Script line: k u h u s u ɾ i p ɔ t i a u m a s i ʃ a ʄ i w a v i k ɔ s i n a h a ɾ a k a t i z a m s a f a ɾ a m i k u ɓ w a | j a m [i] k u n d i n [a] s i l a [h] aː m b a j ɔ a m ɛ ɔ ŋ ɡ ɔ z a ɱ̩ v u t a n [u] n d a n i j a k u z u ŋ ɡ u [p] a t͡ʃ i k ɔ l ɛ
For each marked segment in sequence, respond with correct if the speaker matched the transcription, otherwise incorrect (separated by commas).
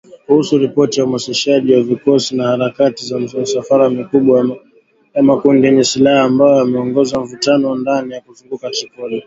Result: incorrect, incorrect, correct, incorrect, incorrect